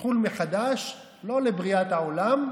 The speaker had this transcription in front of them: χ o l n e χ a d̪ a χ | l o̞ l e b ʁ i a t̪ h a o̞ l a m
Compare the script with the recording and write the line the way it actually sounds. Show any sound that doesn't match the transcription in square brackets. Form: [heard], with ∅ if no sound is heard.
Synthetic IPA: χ [u] l [m] e χ a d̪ a [ʃ] | l o̞ l e b ʁ i a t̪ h a o̞ l a m